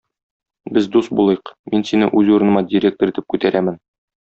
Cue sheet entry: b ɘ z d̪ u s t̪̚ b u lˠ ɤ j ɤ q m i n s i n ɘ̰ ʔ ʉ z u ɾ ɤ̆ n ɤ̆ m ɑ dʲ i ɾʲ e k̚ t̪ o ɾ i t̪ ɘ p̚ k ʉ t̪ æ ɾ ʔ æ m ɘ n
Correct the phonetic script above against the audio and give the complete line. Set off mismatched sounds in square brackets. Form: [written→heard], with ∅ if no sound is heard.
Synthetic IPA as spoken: b ɘ z d̪ u s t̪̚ b u lˠ ɤ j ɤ q m i n s i n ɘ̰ ʔ ʉ z u ɾ ɤ̆ n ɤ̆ m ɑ dʲ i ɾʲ e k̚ t̪ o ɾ i t̪ ɘ p̚ k ʉ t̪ æ ɾ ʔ æ m ɘ n